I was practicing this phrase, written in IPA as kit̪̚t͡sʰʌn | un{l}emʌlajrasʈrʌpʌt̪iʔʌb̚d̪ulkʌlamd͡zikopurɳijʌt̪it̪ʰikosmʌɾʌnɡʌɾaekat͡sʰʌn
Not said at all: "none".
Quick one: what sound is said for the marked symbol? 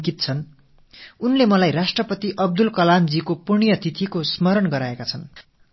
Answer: l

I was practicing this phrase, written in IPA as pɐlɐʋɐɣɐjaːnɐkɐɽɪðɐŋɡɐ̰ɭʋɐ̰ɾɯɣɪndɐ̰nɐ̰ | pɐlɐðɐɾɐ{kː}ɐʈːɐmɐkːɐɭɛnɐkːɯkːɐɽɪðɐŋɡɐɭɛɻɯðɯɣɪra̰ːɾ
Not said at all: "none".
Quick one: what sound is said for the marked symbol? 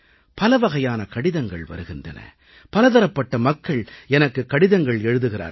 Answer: pː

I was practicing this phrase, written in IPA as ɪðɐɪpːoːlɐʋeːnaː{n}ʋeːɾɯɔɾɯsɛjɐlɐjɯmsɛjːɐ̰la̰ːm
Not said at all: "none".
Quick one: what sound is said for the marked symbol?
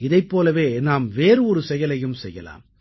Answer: m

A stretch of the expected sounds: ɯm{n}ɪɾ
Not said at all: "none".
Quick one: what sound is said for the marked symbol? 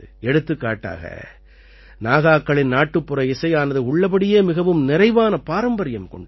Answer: n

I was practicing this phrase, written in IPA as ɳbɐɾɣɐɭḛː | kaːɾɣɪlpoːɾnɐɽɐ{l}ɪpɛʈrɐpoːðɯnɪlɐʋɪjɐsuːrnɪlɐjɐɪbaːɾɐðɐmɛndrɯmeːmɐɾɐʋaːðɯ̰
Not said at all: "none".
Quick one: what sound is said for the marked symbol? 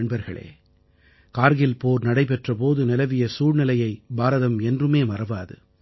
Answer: none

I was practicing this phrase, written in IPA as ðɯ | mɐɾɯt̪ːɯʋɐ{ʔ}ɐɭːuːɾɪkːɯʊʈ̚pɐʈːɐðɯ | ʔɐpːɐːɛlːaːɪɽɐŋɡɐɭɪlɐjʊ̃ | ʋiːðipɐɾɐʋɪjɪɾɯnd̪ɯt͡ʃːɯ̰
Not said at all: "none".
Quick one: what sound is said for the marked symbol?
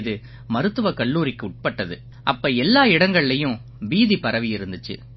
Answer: k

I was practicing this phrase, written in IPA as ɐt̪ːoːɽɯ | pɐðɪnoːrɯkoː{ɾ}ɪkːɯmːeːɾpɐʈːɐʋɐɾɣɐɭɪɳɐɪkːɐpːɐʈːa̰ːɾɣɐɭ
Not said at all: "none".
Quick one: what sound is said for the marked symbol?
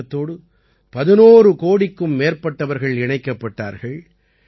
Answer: ɽ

